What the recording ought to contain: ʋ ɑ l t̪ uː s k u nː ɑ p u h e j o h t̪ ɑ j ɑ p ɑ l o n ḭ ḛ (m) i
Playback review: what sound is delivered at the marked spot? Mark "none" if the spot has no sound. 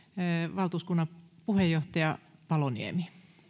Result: m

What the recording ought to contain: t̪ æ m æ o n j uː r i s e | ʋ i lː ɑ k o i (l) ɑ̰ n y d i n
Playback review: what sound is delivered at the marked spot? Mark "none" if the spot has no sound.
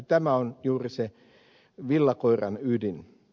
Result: r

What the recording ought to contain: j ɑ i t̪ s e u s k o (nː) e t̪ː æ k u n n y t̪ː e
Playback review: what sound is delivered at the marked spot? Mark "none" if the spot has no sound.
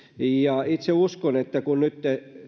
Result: n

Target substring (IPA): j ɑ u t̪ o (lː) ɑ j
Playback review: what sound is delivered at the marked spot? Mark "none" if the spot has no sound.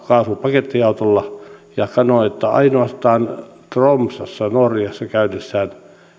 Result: lː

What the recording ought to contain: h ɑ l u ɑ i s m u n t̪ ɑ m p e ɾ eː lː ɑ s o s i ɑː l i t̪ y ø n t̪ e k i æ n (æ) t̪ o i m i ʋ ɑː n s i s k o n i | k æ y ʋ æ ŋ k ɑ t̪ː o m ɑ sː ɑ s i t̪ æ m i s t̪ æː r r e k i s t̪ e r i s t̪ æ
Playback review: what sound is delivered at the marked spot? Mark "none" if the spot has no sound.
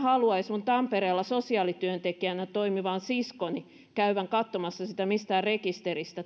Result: æ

